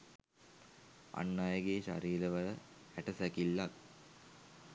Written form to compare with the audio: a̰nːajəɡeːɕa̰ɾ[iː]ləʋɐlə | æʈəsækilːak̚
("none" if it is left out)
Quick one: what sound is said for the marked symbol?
iː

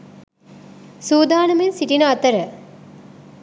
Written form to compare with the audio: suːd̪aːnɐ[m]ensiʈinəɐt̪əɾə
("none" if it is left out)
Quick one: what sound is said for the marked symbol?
m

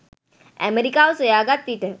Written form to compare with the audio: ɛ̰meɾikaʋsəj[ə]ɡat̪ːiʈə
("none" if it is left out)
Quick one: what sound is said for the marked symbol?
a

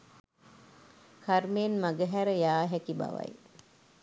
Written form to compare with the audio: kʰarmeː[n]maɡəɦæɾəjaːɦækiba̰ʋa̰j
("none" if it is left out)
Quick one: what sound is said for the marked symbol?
n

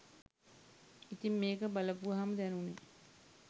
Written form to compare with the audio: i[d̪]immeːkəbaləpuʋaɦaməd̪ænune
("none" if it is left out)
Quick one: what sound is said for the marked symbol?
t̪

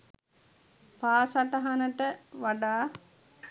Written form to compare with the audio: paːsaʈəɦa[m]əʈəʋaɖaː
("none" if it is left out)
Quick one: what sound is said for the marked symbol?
n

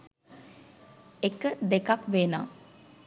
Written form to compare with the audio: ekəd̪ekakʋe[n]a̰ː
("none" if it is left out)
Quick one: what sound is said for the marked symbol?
n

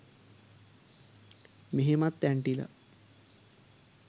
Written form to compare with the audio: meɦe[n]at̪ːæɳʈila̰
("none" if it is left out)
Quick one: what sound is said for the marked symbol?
m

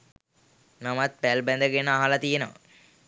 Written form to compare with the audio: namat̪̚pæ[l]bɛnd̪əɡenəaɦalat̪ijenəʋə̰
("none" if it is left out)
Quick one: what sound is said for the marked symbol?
l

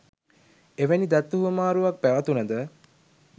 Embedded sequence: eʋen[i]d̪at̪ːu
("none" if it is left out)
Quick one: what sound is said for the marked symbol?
i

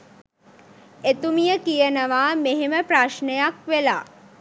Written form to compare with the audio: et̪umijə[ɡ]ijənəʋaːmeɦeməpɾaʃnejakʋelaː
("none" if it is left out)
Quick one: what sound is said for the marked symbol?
k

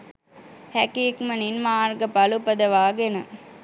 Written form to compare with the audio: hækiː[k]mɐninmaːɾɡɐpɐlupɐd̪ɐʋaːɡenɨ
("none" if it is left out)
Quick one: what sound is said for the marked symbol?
k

